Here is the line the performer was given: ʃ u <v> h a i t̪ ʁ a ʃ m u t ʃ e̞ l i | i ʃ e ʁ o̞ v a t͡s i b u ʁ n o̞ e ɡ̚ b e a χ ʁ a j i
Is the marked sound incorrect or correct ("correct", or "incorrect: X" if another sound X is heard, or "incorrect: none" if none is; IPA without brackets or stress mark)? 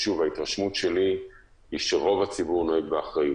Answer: correct